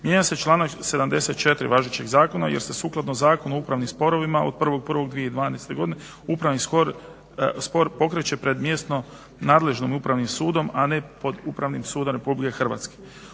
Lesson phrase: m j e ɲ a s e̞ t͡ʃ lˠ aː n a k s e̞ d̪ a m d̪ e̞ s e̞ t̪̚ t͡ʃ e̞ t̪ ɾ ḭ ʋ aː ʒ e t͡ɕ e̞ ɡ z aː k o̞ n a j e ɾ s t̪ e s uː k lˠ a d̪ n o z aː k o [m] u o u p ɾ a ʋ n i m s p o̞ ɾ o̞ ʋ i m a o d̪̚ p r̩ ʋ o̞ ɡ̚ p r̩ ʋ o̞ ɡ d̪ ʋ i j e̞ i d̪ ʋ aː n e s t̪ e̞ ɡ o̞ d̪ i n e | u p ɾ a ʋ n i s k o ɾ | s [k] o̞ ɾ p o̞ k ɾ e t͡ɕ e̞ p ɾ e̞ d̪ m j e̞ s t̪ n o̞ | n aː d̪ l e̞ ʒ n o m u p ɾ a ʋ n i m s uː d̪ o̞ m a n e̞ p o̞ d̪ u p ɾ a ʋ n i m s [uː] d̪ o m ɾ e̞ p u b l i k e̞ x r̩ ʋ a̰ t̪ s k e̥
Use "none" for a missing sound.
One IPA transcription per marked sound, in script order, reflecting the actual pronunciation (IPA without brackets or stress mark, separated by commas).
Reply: n, p, uː